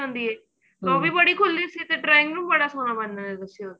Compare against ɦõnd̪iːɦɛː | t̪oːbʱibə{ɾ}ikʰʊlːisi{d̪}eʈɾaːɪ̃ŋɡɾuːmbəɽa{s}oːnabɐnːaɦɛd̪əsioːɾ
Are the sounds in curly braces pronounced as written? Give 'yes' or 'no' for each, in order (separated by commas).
no, no, yes